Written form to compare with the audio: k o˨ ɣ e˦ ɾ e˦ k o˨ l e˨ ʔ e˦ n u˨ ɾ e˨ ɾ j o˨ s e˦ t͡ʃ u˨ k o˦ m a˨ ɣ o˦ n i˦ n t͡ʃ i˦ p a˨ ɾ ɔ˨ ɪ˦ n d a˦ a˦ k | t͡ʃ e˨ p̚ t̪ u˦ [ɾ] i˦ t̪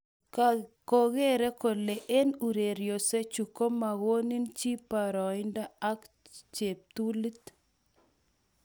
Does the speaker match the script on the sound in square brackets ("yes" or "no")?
no